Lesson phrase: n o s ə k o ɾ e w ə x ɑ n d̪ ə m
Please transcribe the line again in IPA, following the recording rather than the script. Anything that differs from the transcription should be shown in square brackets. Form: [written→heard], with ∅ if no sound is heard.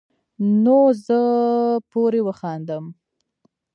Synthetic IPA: n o [s→z] ə [k→p] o ɾ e w ə x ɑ n d̪ ə m